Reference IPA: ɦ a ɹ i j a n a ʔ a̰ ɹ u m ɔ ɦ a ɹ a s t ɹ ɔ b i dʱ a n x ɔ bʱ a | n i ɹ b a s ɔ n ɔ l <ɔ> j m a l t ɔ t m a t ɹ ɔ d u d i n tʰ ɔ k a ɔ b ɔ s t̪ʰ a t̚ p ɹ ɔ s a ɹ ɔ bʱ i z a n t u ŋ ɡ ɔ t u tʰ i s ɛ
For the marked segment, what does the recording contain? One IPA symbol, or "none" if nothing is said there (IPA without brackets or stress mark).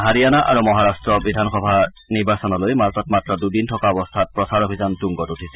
o